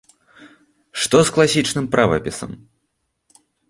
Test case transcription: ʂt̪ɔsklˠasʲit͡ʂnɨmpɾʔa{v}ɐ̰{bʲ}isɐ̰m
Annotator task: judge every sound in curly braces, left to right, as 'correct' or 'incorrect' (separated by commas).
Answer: correct, incorrect